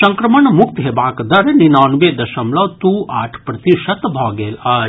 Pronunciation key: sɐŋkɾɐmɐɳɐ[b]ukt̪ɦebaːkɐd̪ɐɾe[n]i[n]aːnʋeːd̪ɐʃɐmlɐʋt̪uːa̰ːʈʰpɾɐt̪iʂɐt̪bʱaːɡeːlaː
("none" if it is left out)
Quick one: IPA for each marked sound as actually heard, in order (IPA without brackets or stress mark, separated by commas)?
m, n, n